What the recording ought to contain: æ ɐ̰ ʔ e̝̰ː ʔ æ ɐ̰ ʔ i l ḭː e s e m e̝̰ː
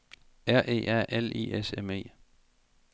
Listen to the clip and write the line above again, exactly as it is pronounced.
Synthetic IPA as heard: æ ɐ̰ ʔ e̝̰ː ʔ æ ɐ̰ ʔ e l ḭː e s e m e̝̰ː